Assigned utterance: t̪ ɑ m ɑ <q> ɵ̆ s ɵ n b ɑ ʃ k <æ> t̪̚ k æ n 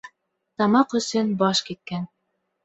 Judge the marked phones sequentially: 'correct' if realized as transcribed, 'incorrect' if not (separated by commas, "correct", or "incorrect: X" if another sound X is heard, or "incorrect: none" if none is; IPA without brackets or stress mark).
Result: correct, incorrect: i